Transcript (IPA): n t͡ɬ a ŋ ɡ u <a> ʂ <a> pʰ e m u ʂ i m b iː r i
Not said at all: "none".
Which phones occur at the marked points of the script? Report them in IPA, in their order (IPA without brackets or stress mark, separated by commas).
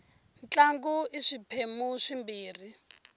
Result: i, i